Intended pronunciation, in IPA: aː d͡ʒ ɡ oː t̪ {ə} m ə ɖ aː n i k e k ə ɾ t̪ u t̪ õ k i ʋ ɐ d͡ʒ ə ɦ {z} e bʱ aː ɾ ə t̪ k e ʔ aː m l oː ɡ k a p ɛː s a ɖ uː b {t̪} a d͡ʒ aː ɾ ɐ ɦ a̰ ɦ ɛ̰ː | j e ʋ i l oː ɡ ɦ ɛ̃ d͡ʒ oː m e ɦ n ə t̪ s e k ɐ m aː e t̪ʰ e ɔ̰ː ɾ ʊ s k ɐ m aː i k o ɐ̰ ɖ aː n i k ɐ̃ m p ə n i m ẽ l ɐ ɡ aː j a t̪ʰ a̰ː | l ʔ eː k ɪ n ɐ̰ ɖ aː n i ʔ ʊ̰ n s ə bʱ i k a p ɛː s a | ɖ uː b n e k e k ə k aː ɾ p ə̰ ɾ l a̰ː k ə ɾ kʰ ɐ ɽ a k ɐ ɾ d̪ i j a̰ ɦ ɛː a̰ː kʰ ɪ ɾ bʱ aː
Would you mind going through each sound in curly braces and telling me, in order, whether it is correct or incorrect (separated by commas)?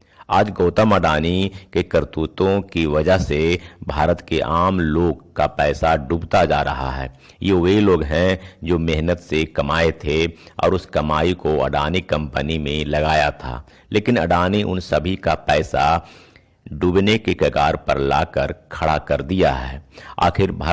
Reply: correct, incorrect, correct